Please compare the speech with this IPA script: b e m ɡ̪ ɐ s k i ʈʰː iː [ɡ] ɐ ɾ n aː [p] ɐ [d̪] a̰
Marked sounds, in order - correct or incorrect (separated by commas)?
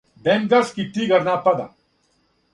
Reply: correct, correct, correct